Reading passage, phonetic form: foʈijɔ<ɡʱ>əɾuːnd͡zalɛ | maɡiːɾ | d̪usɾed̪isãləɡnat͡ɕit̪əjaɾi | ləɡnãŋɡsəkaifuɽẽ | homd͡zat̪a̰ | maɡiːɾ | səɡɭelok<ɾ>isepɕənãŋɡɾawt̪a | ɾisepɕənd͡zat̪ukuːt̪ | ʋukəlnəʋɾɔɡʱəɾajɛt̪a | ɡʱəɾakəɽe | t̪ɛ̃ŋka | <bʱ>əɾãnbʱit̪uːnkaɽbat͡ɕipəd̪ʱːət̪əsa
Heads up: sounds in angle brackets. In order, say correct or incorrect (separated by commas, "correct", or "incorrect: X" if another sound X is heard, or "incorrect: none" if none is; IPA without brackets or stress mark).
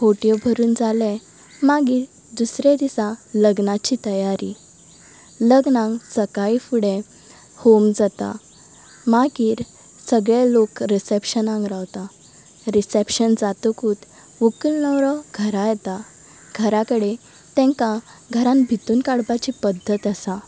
incorrect: bʱ, correct, incorrect: ɡʱ